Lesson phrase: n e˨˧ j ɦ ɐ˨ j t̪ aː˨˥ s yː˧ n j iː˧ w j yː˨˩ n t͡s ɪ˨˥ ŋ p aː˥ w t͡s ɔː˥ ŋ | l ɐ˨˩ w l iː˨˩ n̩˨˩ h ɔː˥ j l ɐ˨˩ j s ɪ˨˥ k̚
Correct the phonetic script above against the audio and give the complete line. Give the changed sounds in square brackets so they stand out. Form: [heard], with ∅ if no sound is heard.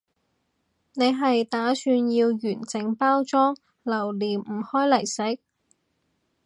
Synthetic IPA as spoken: n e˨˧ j ɦ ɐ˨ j t̪ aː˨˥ s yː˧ n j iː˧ w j yː˨˩ n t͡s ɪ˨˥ ŋ p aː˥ w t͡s ɔː˥ ŋ | l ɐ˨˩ w l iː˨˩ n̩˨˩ h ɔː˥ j l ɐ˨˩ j s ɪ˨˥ k̚

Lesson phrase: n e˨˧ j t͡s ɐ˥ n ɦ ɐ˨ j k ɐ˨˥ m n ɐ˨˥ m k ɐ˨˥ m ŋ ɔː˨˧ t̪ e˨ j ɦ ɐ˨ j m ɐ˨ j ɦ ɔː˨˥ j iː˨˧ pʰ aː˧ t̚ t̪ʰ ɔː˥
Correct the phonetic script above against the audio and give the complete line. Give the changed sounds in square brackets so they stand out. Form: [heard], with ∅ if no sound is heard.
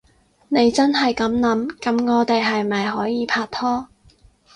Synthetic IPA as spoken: n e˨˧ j t͡s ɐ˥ n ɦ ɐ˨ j k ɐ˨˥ m n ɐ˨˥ m k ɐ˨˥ m ŋ ɔː˨˧ t̪ e˨ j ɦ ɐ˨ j m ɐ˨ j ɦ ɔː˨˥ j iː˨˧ pʰ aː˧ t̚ t̪ʰ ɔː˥

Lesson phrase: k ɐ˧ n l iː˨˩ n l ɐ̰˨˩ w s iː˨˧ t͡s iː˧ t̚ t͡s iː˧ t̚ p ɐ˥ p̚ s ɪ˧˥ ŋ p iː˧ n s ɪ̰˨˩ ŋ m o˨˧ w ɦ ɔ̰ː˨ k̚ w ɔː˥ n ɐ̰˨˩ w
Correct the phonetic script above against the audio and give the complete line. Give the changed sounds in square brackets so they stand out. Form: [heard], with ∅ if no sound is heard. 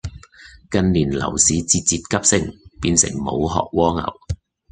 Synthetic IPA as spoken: k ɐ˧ n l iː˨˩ n l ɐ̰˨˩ w s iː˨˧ t͡s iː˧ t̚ t͡s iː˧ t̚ [k] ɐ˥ p̚ s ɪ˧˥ ŋ p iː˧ n s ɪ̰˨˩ ŋ m o˨˧ w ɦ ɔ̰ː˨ k̚ w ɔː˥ [ŋ] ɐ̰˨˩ w

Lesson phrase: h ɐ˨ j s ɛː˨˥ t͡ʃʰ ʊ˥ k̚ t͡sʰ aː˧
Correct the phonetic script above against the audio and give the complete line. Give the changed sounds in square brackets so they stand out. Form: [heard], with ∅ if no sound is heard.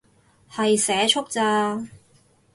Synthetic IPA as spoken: h ɐ˨ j s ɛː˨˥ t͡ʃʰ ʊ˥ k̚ [t͡s] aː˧

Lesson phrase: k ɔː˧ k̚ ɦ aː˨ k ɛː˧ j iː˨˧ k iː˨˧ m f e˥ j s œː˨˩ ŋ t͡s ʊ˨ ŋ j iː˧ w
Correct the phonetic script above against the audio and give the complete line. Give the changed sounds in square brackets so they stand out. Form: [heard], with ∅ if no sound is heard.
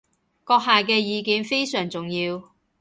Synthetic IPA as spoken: k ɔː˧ k̚ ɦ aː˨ k ɛː˧ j iː˨˧ k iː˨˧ [n] f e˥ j s œː˨˩ ŋ t͡s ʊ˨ ŋ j iː˧ w

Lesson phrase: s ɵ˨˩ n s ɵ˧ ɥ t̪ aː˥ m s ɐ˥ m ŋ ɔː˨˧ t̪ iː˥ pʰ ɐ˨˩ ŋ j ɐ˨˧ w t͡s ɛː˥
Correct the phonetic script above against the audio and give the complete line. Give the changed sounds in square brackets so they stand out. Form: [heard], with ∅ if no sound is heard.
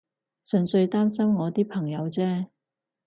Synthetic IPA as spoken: s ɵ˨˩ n s ɵ˧ ɥ t̪ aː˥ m s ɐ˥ m ŋ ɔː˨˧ t̪ iː˥ pʰ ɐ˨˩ ŋ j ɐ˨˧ w t͡s ɛː˥

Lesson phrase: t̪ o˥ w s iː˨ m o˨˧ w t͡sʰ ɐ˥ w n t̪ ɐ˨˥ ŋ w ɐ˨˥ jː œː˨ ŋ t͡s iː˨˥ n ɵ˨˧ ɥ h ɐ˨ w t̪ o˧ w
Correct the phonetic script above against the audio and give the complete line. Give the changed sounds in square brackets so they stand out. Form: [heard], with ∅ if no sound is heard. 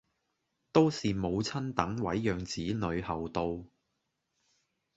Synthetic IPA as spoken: t̪ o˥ w s iː˨ m o˨˧ w t͡sʰ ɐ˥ [∅] n t̪ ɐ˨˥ ŋ w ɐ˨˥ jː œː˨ ŋ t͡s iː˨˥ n ɵ˨˧ ɥ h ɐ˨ w t̪ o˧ w

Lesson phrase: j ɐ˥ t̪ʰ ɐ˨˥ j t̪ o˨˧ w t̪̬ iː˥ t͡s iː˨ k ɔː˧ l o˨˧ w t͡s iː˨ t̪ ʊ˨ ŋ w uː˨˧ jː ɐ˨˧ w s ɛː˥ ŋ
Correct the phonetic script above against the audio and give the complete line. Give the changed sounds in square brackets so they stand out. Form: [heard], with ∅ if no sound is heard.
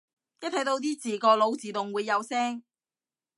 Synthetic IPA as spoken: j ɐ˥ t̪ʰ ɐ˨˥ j t̪ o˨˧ w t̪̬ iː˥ t͡s iː˨ k ɔː˧ l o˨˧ w t͡s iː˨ t̪ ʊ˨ ŋ w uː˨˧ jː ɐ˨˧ w s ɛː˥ ŋ

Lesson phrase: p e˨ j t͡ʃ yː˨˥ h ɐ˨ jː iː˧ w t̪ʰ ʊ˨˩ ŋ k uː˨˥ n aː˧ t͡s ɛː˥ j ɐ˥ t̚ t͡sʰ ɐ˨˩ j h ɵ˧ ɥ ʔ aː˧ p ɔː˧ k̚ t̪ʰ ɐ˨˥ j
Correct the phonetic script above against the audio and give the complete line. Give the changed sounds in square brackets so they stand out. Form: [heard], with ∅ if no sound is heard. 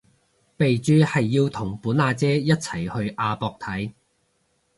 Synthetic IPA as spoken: p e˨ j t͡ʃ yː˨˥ h ɐ˨ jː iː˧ w t̪ʰ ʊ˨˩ ŋ [p] uː˨˥ n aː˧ t͡s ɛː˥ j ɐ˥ t̚ t͡sʰ ɐ˨˩ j h ɵ˧ ɥ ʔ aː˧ p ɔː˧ k̚ t̪ʰ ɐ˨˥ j

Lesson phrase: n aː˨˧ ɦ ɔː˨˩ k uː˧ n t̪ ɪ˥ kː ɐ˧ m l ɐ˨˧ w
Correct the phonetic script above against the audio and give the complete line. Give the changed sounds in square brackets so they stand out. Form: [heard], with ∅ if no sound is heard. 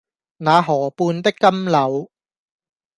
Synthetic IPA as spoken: n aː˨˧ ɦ ɔː˨˩ [p] uː˧ n t̪ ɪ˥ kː [ɐ˥] m l ɐ˨˧ w

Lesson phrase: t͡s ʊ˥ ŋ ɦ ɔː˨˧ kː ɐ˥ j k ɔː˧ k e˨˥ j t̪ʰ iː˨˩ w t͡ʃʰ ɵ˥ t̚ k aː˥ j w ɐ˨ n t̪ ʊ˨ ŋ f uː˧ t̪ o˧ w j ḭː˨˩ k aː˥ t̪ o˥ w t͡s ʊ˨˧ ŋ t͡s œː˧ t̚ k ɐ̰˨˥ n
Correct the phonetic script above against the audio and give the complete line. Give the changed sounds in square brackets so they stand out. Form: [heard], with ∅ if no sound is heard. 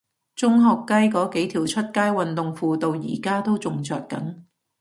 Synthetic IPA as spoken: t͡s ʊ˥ ŋ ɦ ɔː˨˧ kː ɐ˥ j k [ɔː˨˥] k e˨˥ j t̪ʰ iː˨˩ w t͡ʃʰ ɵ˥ t̚ k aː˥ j w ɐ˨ n t̪ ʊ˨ ŋ f uː˧ t̪ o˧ w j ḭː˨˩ k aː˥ t̪ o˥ w t͡s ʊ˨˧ ŋ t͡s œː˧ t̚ k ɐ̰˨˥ n

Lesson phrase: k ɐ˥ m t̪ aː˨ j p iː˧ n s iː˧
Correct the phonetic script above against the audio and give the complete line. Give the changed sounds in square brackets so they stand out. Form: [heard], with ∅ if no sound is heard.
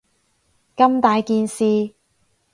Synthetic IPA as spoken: k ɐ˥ m t̪ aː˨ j [k] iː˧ n s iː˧

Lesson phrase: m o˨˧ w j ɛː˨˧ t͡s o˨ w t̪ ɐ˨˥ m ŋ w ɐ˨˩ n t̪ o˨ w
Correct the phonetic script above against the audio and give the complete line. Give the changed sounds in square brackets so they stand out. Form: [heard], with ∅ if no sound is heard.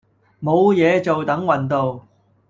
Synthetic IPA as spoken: m o˨˧ w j ɛː˨˧ t͡s o˨ w t̪ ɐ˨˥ [∅] ŋ w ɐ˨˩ n t̪ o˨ w

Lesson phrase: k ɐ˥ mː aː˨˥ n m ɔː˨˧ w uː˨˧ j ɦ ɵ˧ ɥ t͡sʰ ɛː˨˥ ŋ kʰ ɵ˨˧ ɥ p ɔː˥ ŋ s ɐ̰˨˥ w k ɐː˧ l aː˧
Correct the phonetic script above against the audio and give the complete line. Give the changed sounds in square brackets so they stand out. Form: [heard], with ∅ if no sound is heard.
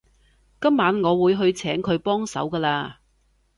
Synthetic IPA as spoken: k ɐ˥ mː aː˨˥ n [ŋ] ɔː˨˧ w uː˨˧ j ɦ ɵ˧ ɥ t͡sʰ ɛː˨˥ ŋ kʰ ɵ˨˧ ɥ p ɔː˥ ŋ s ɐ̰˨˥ w k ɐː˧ l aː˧

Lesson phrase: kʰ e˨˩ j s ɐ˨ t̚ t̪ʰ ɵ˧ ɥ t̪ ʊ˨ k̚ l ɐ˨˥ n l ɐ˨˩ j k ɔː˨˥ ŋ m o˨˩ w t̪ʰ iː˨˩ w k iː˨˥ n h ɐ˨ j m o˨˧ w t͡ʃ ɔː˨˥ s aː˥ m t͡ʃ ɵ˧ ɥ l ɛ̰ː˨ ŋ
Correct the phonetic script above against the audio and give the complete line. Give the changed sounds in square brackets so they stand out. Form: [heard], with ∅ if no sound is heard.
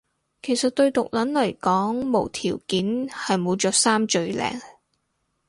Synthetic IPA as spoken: kʰ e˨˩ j s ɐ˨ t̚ [t̪] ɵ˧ ɥ t̪ ʊ˨ k̚ l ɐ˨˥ n l ɐ˨˩ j k ɔː˨˥ ŋ m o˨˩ w t̪ʰ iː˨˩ w k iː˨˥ n h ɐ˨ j m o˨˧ w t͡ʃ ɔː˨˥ s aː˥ m t͡ʃ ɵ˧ ɥ l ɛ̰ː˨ ŋ

